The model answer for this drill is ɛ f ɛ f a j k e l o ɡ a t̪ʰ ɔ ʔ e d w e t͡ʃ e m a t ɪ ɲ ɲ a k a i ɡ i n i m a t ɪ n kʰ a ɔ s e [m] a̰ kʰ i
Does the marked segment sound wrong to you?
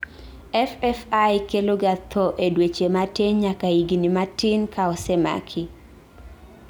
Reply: no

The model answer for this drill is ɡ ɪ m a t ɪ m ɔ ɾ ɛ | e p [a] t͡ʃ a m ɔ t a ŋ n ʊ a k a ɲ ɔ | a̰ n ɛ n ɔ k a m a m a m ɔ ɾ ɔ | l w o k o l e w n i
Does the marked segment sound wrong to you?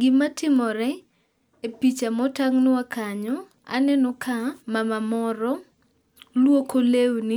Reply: yes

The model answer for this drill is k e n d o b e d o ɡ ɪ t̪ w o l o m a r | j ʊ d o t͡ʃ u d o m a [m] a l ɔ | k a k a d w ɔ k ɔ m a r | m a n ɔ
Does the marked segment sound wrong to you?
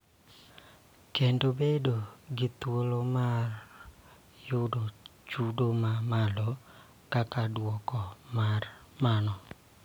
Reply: no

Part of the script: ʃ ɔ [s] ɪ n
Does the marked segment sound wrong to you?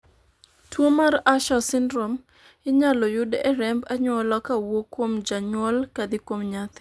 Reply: no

